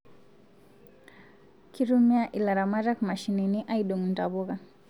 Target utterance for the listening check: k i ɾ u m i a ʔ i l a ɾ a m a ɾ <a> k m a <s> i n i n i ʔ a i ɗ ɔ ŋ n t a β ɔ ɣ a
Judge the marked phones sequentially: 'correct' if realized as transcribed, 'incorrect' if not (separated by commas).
correct, incorrect